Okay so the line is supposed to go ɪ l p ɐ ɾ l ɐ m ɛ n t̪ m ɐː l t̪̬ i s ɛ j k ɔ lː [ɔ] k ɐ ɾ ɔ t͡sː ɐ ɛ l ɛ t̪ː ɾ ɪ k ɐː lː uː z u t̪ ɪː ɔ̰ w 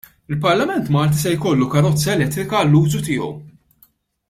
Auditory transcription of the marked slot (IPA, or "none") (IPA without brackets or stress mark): u